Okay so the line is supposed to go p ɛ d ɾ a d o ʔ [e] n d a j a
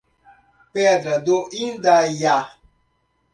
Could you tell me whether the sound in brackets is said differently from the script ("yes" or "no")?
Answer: yes